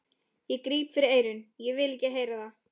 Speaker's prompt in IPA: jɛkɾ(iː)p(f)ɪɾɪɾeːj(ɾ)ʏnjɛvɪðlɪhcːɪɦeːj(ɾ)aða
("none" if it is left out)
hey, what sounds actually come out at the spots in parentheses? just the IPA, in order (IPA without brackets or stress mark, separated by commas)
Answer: iː, f, ɾ, ɾ